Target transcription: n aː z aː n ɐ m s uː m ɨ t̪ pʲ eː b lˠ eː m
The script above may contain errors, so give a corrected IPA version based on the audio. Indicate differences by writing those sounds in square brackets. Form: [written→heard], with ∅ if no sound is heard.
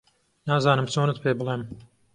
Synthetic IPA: n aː z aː n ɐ m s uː [m→n] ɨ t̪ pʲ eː b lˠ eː m